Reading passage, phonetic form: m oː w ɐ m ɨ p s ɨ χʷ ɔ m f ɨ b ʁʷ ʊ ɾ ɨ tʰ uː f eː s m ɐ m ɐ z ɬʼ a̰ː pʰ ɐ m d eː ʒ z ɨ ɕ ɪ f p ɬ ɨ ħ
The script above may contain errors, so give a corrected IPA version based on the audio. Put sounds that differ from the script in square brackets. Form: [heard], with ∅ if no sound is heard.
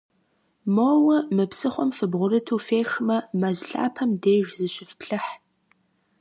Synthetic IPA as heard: m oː w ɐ m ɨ p s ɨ χʷ ɔ m f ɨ b ʁʷ ʊ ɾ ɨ tʰ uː f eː [x] m ɐ m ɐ z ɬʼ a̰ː pʰ ɐ m d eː ʒ z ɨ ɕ ɪ f p ɬ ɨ ħ